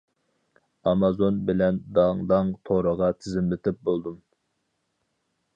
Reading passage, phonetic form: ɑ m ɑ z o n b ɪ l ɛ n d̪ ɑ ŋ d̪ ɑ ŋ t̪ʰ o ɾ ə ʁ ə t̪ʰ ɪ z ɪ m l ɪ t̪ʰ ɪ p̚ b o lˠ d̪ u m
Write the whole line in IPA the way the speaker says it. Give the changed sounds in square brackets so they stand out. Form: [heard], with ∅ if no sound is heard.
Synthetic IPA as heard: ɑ m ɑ z o n b ɪ l ɛ n d̪ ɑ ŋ d̪ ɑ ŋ t̪ʰ o ɾ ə ʁ [ɑ] t̪ʰ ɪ z ɪ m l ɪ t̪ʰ ɪ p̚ b o lˠ d̪ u m